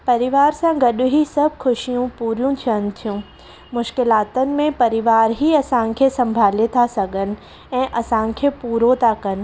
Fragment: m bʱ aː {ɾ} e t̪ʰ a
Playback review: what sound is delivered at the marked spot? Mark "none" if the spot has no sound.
l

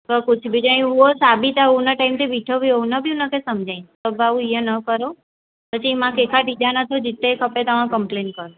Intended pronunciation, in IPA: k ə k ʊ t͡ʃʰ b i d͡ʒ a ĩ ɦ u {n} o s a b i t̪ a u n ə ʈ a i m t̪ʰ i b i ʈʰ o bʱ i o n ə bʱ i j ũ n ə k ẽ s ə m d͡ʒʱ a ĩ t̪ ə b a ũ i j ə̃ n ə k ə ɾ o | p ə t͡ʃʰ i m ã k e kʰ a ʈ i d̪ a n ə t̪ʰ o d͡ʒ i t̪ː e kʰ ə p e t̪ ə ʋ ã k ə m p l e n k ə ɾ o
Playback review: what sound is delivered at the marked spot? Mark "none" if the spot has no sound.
none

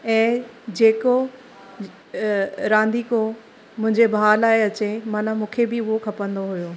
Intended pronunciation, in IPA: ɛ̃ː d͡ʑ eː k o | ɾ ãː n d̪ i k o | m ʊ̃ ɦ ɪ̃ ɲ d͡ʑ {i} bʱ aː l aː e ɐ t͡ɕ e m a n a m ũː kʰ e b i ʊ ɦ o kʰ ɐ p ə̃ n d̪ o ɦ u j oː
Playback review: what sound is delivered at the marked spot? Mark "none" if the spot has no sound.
e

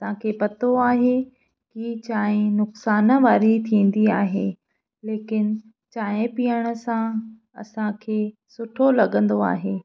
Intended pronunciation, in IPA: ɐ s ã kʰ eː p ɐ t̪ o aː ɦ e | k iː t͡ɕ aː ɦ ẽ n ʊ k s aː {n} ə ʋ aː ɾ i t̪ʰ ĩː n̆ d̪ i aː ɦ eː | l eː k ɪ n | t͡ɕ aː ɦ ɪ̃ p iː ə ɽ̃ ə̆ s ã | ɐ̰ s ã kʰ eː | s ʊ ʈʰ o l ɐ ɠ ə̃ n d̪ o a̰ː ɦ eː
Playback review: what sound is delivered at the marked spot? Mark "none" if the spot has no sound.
n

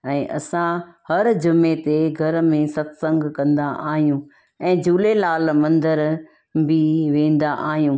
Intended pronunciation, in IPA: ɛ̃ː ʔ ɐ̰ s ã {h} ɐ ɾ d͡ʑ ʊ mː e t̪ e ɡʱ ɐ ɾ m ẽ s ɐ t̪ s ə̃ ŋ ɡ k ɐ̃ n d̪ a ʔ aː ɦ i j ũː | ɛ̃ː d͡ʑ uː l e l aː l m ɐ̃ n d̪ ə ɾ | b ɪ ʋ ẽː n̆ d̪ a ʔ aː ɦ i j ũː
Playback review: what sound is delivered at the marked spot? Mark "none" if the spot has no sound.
h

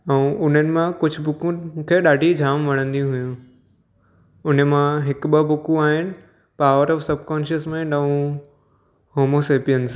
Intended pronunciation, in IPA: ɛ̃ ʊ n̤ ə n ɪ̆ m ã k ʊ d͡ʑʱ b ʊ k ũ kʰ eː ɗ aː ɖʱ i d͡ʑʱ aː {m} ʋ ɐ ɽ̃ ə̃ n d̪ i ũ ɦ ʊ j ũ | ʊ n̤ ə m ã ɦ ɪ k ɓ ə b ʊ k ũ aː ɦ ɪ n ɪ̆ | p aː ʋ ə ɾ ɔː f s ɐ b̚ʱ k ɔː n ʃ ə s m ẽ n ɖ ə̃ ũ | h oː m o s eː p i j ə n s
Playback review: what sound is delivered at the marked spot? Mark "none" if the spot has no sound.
m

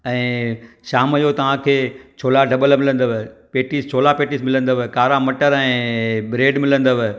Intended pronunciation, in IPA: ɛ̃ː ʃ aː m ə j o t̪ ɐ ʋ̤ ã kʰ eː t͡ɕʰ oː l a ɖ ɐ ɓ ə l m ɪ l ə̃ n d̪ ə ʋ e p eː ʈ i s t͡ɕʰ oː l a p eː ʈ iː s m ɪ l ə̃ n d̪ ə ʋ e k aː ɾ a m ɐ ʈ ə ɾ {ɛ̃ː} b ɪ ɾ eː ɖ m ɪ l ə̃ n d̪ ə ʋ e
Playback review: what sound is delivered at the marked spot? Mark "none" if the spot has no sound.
ɛ̃ː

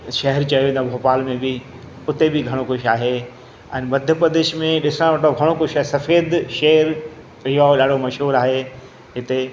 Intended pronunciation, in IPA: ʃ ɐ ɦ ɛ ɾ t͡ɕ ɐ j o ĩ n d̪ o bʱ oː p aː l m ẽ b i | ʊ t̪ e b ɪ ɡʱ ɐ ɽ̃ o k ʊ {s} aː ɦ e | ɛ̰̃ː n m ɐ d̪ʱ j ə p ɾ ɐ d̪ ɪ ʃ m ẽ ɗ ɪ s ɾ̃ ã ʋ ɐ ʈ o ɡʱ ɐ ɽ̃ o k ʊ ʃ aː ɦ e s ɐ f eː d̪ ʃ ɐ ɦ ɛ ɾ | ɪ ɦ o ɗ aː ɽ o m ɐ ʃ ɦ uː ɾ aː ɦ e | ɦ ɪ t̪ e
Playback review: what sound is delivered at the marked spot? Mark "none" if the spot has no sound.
ʃ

